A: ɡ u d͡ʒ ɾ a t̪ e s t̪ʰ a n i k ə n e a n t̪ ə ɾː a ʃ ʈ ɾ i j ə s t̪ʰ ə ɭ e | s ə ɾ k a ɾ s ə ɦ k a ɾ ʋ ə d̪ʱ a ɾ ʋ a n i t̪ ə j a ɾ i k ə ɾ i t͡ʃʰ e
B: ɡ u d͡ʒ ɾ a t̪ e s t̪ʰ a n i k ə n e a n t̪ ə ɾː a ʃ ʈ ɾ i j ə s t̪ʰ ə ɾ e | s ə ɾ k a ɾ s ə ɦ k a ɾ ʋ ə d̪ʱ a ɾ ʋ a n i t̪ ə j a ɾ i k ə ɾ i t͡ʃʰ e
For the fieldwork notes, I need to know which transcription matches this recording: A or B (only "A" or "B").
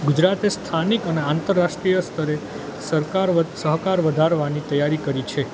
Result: B